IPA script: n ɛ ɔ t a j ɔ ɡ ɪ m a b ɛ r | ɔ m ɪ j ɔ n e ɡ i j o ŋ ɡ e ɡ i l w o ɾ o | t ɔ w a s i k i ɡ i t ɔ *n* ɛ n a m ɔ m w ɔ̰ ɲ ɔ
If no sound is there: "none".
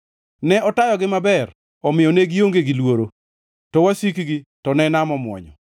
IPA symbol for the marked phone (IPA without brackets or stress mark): n